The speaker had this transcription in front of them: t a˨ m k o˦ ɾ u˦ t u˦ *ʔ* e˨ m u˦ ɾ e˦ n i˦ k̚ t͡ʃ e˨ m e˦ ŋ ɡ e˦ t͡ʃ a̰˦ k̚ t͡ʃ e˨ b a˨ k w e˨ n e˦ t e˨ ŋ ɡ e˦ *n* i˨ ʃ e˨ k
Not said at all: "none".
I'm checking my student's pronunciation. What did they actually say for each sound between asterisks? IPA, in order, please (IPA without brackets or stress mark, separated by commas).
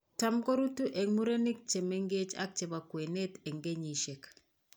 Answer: ʔ, ɲ